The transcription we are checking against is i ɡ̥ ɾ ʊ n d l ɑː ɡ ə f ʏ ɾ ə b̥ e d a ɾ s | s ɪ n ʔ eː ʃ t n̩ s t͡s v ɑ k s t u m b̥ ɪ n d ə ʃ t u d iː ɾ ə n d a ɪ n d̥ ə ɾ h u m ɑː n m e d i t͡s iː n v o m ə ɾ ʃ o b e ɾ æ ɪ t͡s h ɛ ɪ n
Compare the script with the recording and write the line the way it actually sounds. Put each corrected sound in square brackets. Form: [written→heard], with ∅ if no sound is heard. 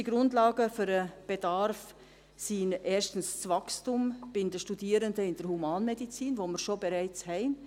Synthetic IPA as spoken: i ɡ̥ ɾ ʊ n d l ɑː ɡ ə f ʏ ɾ ə b̥ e d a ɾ [s→f] | s [ɪ→i] n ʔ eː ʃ t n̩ s t͡s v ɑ k s t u m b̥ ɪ n d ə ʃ t u d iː ɾ ə n d [a→ə] ɪ n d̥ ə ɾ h u m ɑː n m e d i t͡s iː n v o m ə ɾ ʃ o b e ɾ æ ɪ t͡s h ɛ ɪ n